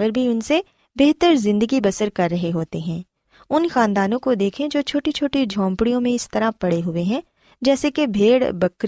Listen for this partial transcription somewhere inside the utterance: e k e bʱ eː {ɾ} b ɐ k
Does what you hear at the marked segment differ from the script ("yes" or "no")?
yes